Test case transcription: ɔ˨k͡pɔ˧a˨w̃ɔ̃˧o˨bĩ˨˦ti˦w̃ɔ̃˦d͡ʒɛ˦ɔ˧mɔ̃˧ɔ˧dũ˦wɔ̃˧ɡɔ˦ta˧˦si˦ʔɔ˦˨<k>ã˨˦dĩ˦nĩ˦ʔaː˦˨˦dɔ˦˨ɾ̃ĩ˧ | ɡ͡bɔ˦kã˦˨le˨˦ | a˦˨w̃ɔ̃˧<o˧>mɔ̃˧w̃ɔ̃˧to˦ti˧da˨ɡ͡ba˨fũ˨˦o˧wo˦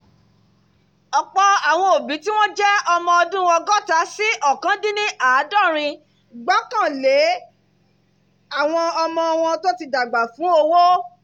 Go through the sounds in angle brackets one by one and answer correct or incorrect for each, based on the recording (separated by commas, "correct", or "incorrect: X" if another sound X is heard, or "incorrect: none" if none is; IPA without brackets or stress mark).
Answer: correct, incorrect: ɔ˧